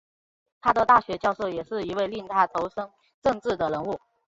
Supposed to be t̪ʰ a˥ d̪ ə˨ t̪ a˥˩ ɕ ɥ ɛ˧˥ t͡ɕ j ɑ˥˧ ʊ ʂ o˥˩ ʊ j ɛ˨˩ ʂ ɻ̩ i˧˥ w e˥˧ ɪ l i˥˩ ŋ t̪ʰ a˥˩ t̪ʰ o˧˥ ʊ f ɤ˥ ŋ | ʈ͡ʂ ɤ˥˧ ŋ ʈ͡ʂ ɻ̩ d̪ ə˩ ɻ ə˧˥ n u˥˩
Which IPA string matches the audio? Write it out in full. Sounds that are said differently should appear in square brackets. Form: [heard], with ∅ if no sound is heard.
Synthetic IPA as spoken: t̪ʰ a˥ d̪ ə˨ t̪ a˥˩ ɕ ɥ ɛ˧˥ t͡ɕ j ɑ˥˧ ʊ ʂ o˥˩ ʊ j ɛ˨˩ ʂ ɻ̩ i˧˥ w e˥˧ ɪ l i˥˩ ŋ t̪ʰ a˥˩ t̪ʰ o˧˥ ʊ [ʂ] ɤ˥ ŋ | ʈ͡ʂ ɤ˥˧ ŋ ʈ͡ʂ ɻ̩ d̪ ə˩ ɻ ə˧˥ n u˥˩